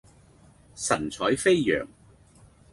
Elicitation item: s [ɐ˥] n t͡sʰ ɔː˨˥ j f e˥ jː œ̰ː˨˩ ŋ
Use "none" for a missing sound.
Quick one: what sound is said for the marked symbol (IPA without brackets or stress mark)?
ɐ˨˩